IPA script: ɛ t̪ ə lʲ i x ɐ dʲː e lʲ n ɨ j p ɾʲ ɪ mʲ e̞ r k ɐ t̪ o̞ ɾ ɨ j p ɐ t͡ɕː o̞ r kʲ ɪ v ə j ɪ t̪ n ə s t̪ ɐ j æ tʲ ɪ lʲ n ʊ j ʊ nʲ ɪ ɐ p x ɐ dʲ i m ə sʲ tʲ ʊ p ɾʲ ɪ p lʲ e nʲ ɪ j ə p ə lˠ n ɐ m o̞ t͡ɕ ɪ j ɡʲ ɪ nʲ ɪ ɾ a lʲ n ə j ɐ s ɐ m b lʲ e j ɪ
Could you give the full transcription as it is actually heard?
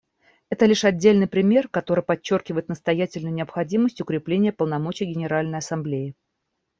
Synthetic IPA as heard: ɛ t̪ ə lʲ i ʂ ɐ dʲː e lʲ n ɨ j p ɾʲ ɪ mʲ e̞ r k ɐ t̪ o̞ ɾ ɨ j p ɐ t͡ɕː o̞ r kʲ ɪ v ə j ɪ t̪ n ə s t̪ ɐ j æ tʲ ɪ lʲ n ʊ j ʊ nʲ ɪ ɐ p x ɐ dʲ i m ə sʲ tʲ ʊ k ɾʲ ɪ p lʲ e nʲ ɪ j ə p ə lˠ n ɐ m o̞ t͡ɕ ɪ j ɡʲ ɪ nʲ ɪ ɾ a lʲ n ə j ɐ s ɐ m b lʲ e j ɪ